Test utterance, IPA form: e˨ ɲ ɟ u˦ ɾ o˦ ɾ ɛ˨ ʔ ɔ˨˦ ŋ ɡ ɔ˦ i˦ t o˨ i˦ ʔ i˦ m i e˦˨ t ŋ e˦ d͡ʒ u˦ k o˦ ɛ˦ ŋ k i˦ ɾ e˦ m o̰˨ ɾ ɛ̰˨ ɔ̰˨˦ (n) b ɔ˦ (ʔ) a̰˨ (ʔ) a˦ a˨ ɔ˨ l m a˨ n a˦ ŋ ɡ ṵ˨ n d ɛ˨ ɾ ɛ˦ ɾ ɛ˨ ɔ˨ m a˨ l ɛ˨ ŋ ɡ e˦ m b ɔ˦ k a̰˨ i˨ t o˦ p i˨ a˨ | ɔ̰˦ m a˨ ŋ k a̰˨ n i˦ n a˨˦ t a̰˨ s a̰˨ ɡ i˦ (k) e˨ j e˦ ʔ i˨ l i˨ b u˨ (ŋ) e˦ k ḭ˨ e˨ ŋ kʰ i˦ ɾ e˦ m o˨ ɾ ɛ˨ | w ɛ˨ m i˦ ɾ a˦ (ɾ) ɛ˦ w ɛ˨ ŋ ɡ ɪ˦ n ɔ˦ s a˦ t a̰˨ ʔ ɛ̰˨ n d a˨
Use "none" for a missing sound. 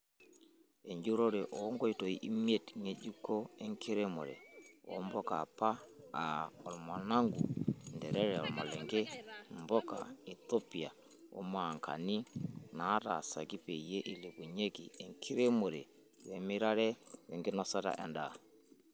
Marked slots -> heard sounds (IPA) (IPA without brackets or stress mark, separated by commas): m, k, p, p, ɲ, ɾ